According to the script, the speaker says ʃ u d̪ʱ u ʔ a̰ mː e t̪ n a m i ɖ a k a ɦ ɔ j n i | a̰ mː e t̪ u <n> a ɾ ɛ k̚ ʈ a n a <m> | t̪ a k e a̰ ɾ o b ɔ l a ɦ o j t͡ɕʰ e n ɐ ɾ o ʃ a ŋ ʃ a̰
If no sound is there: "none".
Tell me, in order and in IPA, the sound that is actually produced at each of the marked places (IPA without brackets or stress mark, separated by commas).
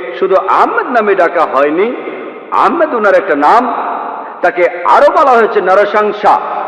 n, m